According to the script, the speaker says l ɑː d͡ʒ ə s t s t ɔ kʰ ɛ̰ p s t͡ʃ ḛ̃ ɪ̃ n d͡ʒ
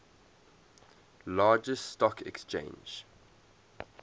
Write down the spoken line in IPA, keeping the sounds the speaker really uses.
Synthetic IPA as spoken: l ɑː d͡ʒ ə s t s t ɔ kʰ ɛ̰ k s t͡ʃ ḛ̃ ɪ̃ n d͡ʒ